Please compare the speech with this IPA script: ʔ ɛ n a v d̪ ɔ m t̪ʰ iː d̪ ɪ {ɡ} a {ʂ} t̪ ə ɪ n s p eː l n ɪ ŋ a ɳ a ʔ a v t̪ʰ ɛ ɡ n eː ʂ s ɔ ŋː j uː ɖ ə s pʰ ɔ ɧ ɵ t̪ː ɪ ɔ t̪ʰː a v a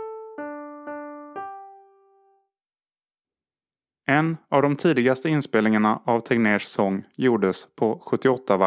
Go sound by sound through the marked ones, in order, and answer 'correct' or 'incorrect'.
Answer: correct, incorrect: s

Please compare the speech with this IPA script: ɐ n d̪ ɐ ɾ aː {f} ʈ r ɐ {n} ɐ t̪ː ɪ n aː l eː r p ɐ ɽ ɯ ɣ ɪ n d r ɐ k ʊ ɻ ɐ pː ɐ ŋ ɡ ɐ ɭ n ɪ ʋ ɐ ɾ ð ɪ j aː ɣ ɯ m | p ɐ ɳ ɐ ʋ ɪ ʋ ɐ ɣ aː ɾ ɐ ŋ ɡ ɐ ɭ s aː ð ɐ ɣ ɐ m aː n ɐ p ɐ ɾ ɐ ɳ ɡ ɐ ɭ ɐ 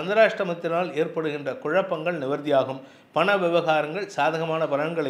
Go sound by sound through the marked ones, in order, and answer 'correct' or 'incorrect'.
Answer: incorrect: ʂ, incorrect: m

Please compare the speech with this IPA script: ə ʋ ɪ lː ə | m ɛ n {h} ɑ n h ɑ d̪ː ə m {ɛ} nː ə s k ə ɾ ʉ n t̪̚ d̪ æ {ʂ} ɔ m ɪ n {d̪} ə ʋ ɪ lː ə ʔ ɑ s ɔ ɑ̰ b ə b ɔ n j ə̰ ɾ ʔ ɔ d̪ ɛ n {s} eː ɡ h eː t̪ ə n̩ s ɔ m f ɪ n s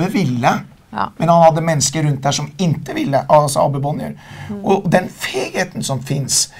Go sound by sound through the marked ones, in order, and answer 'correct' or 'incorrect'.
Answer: correct, correct, correct, incorrect: t̪, incorrect: f

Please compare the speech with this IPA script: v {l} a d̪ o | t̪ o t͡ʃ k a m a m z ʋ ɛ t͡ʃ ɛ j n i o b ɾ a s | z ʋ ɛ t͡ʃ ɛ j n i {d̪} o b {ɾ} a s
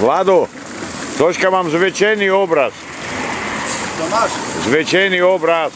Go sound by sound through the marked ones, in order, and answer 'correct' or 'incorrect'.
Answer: correct, incorrect: none, correct

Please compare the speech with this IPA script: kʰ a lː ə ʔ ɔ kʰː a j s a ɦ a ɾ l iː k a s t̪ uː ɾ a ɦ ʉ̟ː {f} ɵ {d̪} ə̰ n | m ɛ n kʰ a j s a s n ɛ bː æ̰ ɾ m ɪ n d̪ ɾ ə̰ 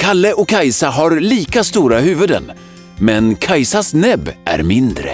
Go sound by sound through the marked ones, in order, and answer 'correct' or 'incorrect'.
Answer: incorrect: v, correct

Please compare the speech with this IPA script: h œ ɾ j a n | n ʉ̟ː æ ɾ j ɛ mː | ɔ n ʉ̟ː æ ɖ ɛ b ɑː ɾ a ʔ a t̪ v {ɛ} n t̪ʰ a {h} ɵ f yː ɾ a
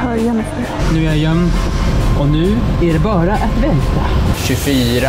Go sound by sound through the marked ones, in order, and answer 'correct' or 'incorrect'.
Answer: correct, incorrect: ɕ

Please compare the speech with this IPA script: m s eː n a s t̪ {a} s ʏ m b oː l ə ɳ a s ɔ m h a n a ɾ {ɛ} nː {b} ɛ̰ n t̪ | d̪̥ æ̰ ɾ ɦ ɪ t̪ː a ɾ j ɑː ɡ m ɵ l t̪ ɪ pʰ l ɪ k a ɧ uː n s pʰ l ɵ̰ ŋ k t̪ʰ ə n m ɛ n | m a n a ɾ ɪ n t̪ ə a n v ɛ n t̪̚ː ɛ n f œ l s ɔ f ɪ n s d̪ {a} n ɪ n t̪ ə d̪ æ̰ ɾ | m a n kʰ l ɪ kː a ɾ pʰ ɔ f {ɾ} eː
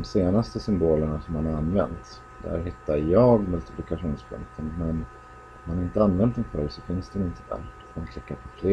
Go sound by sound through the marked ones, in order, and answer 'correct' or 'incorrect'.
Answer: incorrect: ə, incorrect: a, incorrect: v, incorrect: ɛ, incorrect: l

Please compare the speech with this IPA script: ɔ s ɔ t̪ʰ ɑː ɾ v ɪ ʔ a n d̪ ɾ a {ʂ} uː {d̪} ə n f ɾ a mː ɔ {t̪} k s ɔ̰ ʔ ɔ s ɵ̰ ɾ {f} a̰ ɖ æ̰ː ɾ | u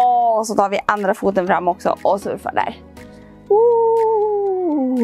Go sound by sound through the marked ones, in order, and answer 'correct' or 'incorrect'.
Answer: incorrect: f, incorrect: t̪, incorrect: none, correct

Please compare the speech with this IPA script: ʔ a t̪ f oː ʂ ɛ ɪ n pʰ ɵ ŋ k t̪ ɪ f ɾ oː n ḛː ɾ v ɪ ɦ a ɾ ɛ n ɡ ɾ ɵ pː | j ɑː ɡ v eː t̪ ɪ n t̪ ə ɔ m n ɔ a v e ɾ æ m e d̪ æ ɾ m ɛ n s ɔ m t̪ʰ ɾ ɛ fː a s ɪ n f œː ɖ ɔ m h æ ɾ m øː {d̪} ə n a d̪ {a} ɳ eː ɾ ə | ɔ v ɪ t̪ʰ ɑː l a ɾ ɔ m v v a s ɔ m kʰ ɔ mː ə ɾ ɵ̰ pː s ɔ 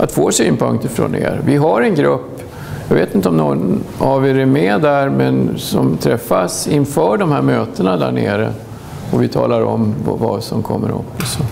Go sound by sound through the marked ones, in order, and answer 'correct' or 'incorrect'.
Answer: incorrect: t̪, incorrect: æ

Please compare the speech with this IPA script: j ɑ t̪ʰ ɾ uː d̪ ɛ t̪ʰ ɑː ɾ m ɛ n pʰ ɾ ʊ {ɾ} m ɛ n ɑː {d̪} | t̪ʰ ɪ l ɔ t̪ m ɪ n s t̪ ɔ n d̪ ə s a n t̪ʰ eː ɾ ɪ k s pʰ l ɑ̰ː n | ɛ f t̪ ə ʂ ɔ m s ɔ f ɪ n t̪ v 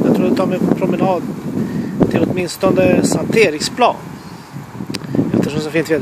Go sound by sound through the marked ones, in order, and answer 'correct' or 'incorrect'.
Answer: incorrect: none, correct

